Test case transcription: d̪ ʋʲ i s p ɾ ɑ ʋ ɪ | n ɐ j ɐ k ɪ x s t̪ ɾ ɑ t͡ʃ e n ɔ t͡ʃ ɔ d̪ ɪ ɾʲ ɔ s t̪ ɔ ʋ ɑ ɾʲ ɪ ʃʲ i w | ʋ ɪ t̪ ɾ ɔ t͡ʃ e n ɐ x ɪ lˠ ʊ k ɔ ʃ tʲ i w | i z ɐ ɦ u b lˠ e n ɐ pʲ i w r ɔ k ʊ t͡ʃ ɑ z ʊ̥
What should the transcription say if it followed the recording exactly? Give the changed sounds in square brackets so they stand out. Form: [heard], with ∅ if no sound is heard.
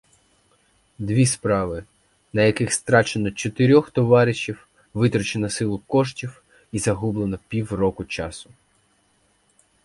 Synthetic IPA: d̪ ʋʲ i s p ɾ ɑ ʋ ɪ | n ɐ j ɐ k ɪ x s t̪ ɾ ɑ t͡ʃ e n ɔ t͡ʃ ɔ [t̪] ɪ ɾʲ ɔ [x] t̪ ɔ ʋ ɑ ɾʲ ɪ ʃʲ i w | ʋ ɪ t̪ ɾ ɔ t͡ʃ e n ɐ [s] ɪ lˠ ʊ k ɔ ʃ tʲ i w | i z ɐ ɦ u b lˠ e n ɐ pʲ i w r ɔ k ʊ t͡ʃ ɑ [s] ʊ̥